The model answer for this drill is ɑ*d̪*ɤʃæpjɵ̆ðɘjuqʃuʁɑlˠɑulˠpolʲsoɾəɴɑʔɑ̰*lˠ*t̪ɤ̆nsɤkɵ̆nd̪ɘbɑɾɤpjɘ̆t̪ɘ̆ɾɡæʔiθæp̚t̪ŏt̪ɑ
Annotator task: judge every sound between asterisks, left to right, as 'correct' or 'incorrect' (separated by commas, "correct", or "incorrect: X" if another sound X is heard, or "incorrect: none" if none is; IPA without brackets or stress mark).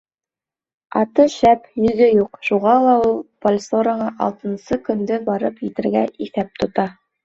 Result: incorrect: t̪, correct